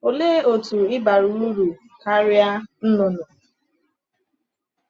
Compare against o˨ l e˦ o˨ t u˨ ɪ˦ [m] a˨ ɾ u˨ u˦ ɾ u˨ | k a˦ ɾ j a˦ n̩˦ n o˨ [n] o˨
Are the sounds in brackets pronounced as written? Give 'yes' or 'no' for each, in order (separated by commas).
no, yes